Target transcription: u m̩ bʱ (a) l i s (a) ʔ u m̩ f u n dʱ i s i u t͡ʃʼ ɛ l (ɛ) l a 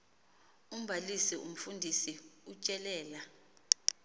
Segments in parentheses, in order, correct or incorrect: correct, incorrect: i, incorrect: ɛː

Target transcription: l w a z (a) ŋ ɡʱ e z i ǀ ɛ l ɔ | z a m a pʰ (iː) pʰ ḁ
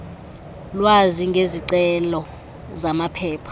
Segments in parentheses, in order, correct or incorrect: incorrect: i, incorrect: ɛː

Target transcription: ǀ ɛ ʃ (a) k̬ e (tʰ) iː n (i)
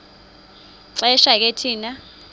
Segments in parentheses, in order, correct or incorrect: correct, correct, incorrect: a

